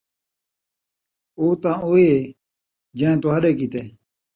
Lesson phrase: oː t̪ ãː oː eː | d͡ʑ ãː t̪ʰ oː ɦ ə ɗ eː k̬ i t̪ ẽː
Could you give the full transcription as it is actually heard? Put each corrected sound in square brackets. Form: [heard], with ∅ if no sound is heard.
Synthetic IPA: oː t̪ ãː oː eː | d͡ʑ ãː [t̪] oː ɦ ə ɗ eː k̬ i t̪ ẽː